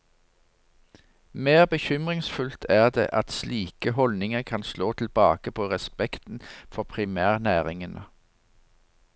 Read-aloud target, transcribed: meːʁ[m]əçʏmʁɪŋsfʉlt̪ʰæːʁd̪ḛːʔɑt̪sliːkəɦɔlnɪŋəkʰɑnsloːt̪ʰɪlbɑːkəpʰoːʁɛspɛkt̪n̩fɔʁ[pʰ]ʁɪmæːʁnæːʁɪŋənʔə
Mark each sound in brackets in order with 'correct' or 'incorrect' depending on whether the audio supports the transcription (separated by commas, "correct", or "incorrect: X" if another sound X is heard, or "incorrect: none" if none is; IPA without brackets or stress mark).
incorrect: b, correct